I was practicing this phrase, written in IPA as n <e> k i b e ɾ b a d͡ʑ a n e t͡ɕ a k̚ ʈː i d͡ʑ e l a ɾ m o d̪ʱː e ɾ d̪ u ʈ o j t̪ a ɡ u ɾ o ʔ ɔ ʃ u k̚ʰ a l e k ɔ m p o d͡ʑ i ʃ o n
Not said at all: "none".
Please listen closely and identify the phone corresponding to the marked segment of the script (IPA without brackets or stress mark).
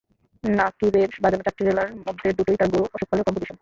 a